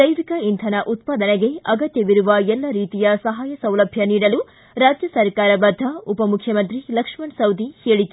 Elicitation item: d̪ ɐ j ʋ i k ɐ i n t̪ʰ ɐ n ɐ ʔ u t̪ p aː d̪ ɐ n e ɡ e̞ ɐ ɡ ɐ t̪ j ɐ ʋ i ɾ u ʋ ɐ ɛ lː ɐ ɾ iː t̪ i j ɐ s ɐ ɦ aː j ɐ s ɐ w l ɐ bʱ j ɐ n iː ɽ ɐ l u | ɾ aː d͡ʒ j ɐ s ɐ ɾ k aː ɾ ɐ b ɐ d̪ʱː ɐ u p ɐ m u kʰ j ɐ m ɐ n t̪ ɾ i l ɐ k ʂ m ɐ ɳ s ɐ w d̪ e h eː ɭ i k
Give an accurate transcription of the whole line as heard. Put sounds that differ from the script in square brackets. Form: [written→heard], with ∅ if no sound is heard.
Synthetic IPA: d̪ ɐ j ʋ i k ɐ i n t̪ʰ ɐ n ɐ ʔ u t̪ p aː d̪ ɐ n e ɡ e̞ ɐ ɡ ɐ t̪ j ɐ ʋ i ɾ u ʋ ɐ ɛ lː ɐ ɾ iː t̪ i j ɐ s ɐ ɦ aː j ɐ s ɐ w l ɐ bʱ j ɐ n iː ɽ ɐ l u | ɾ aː d͡ʒ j ɐ s ɐ ɾ k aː ɾ ɐ b ɐ d̪ʱː ɐ u p ɐ m u kʰ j ɐ m ɐ n t̪ ɾ i l ɐ k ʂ m ɐ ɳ s ɐ w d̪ [e→i] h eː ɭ i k